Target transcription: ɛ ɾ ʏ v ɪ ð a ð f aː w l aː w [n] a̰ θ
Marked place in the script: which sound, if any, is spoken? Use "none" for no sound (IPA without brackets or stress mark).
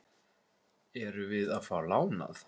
n